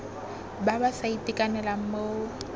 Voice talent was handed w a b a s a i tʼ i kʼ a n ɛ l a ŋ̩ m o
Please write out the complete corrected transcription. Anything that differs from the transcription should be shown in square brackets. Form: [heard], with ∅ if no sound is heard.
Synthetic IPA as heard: [b] a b a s a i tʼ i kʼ a n ɛ l a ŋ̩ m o